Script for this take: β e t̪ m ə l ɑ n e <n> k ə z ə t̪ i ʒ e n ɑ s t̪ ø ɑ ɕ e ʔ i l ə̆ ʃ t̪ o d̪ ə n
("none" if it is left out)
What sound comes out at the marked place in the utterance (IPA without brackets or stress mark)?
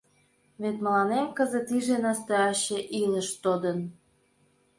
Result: m